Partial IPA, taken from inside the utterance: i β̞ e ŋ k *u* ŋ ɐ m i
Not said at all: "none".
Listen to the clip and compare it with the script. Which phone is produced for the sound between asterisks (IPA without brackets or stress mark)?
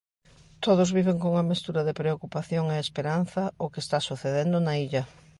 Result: o